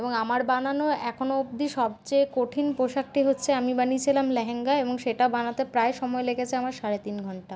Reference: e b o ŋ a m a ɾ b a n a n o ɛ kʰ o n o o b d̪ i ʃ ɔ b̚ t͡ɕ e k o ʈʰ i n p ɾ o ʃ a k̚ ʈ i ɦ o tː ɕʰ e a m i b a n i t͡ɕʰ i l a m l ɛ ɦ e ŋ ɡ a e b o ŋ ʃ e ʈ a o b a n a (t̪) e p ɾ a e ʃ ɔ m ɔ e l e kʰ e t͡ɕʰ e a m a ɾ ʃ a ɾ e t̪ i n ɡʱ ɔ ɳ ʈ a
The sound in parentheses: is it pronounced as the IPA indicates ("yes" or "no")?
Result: yes